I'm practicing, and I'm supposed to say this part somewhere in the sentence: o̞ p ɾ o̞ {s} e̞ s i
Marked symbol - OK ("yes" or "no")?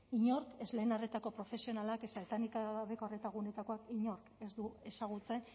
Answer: no